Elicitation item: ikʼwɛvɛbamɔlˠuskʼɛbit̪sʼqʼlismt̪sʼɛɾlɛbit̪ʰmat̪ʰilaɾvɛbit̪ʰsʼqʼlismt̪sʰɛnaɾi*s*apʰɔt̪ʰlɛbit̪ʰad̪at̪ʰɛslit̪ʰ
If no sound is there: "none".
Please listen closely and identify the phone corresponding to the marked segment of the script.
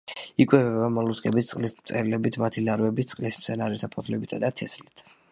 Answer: s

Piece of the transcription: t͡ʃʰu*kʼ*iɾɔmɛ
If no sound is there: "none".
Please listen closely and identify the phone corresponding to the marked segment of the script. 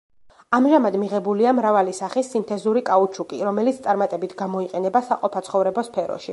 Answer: kʼ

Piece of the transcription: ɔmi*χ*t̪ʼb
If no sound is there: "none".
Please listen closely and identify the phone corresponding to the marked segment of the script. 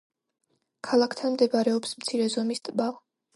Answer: s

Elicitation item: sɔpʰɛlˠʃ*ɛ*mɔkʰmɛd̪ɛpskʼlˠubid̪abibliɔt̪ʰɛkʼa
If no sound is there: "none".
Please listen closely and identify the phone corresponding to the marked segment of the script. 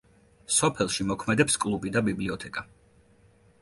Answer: i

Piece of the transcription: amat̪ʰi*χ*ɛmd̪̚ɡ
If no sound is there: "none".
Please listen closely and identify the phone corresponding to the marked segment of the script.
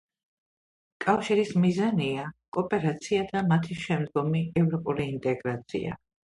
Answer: ʃ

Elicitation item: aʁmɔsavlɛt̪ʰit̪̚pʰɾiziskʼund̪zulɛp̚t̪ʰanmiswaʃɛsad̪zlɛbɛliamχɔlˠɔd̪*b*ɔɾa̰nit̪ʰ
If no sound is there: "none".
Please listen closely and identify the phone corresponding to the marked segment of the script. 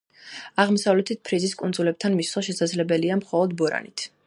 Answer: b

